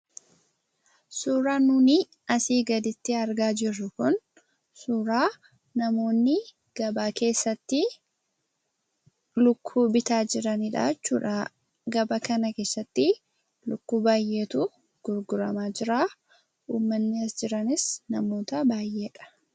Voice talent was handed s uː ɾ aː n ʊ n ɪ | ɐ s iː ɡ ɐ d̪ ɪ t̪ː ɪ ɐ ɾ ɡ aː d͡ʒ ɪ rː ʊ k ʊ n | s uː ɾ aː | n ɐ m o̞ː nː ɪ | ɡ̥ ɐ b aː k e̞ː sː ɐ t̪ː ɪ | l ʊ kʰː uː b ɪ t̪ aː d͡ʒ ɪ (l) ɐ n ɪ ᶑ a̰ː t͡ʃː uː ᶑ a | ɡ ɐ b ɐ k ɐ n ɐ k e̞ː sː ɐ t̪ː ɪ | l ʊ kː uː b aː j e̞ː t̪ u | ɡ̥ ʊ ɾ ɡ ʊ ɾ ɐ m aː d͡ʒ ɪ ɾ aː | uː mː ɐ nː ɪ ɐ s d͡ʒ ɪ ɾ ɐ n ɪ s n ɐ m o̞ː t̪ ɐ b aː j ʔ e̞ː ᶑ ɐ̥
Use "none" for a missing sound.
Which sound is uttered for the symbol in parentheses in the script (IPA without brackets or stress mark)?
ɾ